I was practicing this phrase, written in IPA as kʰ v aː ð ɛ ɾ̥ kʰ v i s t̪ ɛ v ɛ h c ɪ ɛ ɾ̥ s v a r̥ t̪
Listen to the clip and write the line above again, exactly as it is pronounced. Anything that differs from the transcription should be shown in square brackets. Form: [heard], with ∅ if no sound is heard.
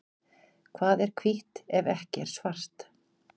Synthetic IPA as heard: kʰ v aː ð ɛ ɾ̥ kʰ v i [h] t̪ ɛ v ɛ h c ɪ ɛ ɾ̥ s v a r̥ t̪